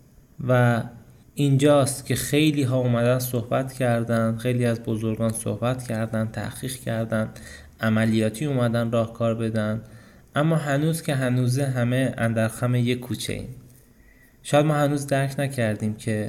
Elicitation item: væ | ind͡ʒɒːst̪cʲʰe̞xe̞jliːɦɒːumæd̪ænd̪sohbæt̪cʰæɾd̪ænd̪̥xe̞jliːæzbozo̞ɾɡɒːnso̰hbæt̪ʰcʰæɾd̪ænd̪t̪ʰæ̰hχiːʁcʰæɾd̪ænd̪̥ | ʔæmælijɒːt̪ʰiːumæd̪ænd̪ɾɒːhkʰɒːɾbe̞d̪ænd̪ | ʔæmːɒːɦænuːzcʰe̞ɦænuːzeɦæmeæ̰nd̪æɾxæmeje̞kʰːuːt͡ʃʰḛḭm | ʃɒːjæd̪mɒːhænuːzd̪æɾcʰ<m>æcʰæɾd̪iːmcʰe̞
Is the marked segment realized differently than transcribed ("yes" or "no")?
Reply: yes